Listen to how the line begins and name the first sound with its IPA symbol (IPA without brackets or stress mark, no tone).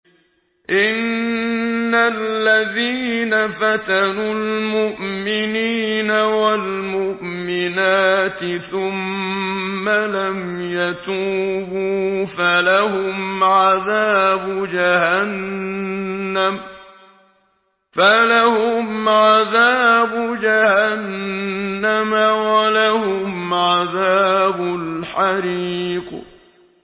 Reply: ʔ